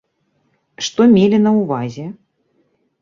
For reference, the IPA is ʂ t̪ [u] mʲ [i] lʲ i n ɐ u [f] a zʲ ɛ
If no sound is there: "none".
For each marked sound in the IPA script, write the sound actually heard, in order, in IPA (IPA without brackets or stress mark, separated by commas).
ɔ, e, v